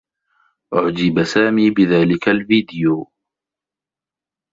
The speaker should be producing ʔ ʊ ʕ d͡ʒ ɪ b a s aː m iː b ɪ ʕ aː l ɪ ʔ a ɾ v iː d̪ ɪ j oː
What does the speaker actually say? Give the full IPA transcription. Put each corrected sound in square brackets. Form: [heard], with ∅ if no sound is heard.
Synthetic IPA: ʔ ʊ ʕ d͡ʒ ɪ b a s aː m iː b ɪ [ð] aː l ɪ [k] a [l] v iː d̪ ɪ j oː

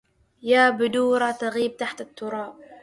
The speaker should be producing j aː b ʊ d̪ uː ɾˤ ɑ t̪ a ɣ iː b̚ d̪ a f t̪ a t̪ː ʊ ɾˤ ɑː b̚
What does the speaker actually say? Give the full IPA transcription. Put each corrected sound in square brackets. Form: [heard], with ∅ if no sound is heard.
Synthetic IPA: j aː b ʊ d̪ uː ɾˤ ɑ t̪ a ɣ iː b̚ [t̪] a [ħ] t̪ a t̪ː ʊ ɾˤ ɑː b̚

